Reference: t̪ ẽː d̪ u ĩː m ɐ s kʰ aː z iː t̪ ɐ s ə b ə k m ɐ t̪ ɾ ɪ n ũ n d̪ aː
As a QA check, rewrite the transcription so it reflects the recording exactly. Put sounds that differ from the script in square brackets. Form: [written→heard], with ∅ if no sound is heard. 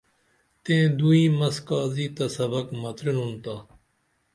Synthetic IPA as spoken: t̪ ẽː d̪ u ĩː m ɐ s [kʰ→k] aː z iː t̪ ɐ s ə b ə k m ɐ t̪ ɾ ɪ n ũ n [d̪→t̪] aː